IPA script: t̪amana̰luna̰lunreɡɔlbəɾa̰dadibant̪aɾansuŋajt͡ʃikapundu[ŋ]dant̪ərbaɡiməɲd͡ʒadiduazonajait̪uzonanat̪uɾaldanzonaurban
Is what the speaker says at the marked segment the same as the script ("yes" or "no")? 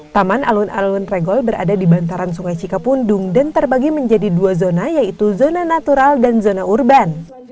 yes